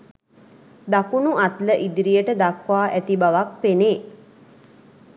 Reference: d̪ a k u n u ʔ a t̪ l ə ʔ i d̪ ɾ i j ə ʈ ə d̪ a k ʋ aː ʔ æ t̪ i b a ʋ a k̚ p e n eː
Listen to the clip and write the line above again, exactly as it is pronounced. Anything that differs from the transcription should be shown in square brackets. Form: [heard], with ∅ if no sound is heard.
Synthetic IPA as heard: d̪ a k u n u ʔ a t̪ l ə ʔ i d̪ ɾ i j ə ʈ ə d̪ a k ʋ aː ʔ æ t̪ i b a ʋ a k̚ p e n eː